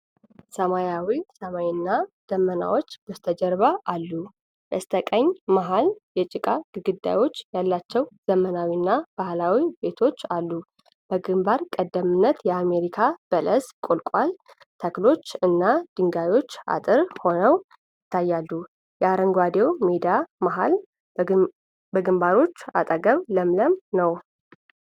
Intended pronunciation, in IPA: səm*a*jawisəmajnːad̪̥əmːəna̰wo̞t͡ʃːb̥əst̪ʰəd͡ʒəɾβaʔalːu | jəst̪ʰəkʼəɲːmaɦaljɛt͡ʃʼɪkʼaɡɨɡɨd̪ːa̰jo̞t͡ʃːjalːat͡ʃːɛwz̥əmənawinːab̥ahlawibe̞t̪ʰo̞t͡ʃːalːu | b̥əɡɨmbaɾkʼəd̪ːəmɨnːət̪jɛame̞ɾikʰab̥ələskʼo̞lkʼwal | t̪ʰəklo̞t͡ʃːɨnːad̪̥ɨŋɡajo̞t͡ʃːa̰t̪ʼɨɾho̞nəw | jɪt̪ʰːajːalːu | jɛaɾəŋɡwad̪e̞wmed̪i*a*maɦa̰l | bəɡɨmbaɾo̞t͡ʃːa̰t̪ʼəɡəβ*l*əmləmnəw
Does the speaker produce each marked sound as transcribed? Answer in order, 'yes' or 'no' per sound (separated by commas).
yes, yes, yes